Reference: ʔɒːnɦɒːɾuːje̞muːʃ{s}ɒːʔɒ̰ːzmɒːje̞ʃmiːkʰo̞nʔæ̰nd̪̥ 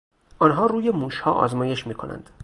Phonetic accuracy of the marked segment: incorrect: h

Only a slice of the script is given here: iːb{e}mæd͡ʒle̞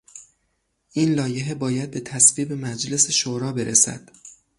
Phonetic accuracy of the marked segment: correct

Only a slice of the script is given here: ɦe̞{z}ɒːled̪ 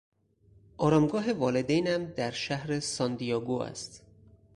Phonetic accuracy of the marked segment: incorrect: v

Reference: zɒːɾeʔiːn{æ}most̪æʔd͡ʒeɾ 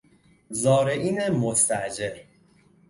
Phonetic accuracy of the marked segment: incorrect: e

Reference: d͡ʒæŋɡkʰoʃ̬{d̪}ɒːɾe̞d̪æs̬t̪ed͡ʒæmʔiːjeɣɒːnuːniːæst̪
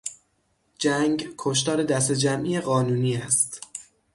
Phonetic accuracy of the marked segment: incorrect: t̪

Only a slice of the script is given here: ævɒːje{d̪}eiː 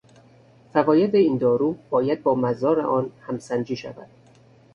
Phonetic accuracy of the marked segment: correct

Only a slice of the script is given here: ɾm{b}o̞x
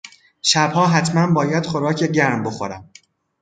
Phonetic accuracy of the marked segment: correct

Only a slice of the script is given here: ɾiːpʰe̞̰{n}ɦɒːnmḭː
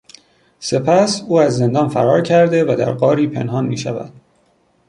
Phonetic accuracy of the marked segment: correct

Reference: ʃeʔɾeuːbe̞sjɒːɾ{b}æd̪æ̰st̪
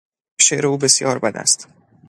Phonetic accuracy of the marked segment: correct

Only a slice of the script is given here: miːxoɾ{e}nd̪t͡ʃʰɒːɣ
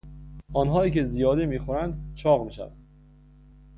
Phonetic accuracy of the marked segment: incorrect: æ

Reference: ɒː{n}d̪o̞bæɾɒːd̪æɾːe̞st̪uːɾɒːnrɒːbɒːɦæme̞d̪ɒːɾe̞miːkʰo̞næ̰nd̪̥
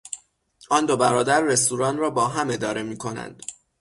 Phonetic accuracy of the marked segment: correct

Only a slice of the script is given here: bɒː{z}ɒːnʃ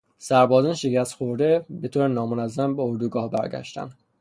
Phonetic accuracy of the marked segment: correct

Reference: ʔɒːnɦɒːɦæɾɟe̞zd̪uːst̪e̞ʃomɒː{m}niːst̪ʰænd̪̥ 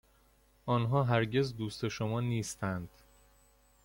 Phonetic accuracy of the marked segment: incorrect: none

